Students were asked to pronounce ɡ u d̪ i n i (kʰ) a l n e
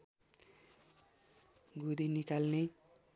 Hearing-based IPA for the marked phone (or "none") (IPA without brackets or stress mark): k